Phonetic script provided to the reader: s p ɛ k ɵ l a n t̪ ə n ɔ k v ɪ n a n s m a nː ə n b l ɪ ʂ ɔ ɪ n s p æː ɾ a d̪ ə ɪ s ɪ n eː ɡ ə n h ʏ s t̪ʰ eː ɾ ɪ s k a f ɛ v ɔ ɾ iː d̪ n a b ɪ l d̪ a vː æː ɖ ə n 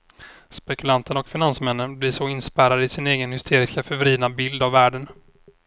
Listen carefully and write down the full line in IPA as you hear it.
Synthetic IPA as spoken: s p ɛ k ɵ l a n t̪ ə n ɔ k f ɪ n a n s m ɛ nː ə n b l ɪ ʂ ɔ ɪ n s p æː ɾ a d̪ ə ɪ s ɪ n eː ɡ ə n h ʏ s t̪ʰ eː ɾ ɪ s k a f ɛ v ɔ ɾ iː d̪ n a b ɪ l d̪ a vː æː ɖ ə n

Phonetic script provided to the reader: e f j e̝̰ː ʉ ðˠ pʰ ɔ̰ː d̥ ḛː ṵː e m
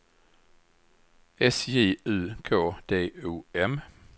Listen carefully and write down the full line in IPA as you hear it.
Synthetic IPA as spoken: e s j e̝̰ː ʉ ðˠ kʰ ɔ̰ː d̥ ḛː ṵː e m

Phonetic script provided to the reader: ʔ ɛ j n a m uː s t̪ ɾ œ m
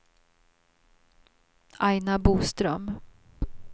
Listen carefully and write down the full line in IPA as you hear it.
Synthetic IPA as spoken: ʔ a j n a b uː s t̪ ɾ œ m

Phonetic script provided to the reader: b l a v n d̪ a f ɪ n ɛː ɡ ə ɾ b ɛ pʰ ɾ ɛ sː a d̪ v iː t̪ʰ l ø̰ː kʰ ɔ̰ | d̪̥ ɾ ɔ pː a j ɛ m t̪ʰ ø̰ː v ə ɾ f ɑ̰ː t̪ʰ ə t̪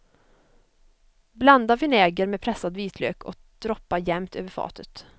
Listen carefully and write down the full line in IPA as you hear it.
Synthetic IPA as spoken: b l a n d̪ a v ɪ n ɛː ɡ ə ɾ m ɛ pʰ ɾ ɛ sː a d̪ v iː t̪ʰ l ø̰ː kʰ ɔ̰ | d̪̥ ɾ ɔ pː a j ɛ m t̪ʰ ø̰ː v ə ɾ f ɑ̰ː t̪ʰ ə t̪

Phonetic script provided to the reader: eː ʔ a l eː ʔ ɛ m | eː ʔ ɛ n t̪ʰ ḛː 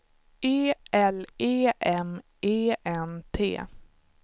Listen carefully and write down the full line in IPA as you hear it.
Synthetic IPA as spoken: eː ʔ ɛ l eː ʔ ɛ m | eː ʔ ɛ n t̪ʰ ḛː

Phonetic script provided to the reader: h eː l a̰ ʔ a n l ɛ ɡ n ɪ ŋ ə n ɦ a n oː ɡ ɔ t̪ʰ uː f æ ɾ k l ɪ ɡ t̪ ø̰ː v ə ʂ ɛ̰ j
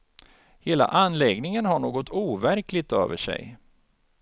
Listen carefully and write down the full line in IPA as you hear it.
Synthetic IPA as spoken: h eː l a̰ ʔ a n l ɛ ɡ n ɪ ŋ ə n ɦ a ɳ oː ɡ ɔ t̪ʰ uː v æ ɾ k l ɪ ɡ t̪ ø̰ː v ə ʂ ɛ̰ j

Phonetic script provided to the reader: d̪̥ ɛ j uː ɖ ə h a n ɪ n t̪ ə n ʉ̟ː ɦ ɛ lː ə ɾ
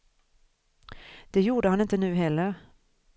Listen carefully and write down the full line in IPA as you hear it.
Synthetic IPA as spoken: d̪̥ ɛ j uː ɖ ə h a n ɪ n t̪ ə n ʉ̟ː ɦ ɛ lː ə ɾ

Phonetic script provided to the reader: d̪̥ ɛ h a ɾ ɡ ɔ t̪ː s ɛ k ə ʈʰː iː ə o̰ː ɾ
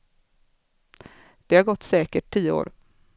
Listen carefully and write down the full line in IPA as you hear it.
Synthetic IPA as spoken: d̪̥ ɛ h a ɾ ɡ ɔ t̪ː s ɛː k ə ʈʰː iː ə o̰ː ɾ

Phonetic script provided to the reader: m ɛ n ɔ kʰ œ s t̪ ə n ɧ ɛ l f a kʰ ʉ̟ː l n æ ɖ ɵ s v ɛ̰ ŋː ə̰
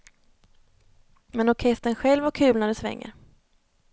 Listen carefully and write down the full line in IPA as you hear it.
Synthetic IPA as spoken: m ɛ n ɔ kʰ ɛ s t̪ ə n ɧ ɛ l v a kʰ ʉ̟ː l n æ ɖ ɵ s v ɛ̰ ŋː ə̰

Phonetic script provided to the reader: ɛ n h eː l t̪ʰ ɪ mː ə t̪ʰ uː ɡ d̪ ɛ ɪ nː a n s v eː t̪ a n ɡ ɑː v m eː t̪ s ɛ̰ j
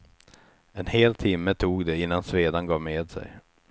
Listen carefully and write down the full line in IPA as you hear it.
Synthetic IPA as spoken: ɛ n h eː l t̪ʰ ɪ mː ə t̪ʰ uː ɡ d̪ ɛ ɪ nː a n s v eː d̪ a n ɡ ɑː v m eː d̪ s ɛ̰ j

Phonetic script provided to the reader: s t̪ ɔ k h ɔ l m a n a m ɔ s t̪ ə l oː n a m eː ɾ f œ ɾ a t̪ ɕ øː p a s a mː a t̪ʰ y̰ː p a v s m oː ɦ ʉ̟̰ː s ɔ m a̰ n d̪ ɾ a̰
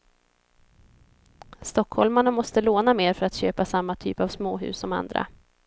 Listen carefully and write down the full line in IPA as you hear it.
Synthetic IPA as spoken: s t̪ ɔ k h ɔ l m a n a m ɔ s t̪ ə l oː n a m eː ɾ f œ ɾ a t̪ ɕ øː p a s a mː a t̪ʰ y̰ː p a v s m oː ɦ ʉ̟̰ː s ɔ m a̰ n d̪ ɾ a̰

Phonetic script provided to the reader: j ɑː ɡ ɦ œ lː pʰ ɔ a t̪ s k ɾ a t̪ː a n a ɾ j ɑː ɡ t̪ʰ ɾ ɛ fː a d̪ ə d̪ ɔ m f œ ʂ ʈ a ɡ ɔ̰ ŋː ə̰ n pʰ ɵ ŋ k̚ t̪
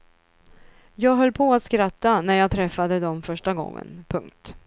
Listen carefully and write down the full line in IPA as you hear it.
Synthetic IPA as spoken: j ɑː ɡ ɦ œ lː pʰ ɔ a t̪ s k ɾ a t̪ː a n æ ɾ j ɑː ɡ t̪ʰ ɾ ɛ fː a d̪ ə d̪ ɔ m f œ ʂ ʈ a ɡ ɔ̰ ŋː ə̰ n pʰ ɵ ŋ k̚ t̪

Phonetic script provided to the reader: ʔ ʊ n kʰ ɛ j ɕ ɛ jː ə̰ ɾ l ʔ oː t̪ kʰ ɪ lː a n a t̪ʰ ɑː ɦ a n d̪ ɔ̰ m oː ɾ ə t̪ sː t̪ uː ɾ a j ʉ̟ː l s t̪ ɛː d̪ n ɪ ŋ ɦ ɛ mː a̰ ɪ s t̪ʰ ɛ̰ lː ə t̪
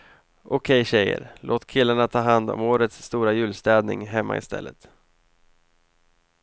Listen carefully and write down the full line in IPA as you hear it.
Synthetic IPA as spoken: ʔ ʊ kʰ ɛ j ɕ ɛ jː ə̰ ɾ l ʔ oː t̪ kʰ ɪ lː a ɳ a t̪ʰ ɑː ɦ a n d̪ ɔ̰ m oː ɾ ə t̪ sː t̪ uː ɾ a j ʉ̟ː l s t̪ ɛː d̪ n ɪ ŋ ɦ ɛ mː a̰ ɪ s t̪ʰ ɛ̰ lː ə t̪

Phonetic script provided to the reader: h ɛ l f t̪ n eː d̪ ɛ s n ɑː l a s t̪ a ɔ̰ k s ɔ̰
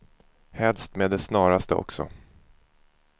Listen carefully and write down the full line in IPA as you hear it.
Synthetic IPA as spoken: h ɛ l s t̪ m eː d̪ ɛ s n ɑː ɾ a s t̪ ə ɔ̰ k s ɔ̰

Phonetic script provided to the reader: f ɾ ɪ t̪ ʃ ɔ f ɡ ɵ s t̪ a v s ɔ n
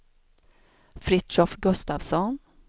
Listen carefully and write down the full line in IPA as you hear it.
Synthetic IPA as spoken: f ɾ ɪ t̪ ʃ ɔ f ɡ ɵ s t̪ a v s ɔ n

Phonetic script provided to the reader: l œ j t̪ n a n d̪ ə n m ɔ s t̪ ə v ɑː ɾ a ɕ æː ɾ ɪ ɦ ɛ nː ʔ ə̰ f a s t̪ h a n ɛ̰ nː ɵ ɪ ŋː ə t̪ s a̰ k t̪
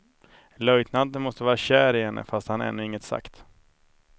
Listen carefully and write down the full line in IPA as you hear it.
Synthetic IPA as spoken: l œ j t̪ n a n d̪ ə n m ɔ s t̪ ə v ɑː ɾ a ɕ æː ɾ ɪ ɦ ɛ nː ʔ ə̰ f a s t̪ h a n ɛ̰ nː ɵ ɪ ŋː ə t̪ s a̰ k t̪

